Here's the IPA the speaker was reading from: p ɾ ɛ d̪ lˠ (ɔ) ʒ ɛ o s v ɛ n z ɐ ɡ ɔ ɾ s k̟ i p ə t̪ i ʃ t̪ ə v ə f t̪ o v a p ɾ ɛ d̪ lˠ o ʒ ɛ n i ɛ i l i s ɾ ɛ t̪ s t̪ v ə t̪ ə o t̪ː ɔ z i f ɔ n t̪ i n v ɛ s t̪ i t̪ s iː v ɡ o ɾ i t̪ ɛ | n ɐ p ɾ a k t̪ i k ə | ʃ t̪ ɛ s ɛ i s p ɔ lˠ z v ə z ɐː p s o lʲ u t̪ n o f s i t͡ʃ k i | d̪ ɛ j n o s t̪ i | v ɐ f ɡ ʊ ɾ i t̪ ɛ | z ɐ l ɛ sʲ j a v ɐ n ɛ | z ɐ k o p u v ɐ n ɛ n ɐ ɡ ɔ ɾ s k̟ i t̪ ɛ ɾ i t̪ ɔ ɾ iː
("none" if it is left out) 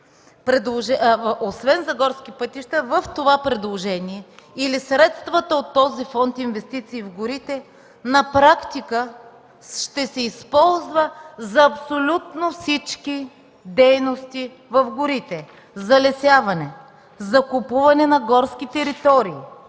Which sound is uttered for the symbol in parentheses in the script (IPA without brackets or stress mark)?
o